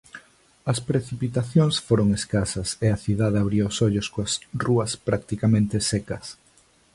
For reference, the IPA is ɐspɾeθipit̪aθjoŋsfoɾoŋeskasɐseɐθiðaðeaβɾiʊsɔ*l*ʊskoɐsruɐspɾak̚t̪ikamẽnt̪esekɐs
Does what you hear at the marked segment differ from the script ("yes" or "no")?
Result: yes